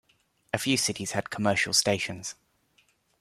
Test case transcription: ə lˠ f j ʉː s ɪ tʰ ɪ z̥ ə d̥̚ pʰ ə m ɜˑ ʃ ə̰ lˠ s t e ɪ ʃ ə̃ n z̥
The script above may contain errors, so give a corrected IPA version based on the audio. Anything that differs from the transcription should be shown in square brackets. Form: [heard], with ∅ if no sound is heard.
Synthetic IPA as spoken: ə [∅] f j ʉː s ɪ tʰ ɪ z̥ ə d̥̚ [kʰ] ə m ɜˑ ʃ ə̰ lˠ s t e ɪ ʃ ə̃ n z̥